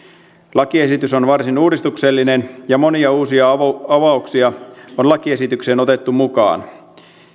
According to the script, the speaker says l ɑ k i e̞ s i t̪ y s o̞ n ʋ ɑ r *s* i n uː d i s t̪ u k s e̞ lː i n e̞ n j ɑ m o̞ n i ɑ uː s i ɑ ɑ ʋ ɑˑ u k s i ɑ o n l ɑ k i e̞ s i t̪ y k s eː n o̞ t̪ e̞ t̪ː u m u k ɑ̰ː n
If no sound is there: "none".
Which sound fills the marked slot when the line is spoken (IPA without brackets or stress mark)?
s